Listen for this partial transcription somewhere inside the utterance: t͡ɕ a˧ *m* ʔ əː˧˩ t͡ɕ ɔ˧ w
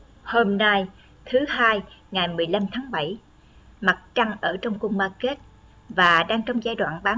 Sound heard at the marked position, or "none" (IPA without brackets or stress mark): ŋ